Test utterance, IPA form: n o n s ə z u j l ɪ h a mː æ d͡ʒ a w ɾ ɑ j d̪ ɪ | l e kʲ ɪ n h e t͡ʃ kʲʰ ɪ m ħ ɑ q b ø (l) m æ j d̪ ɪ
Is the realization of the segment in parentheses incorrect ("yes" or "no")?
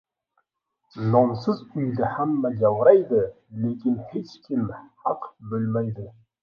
no